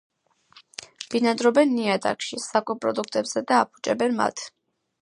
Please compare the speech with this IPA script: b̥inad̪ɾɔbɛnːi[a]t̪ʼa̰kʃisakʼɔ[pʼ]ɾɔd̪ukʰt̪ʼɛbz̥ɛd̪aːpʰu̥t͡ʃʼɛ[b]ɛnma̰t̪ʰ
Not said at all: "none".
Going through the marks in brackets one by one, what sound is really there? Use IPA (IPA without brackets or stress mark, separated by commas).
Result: a, pʼ, b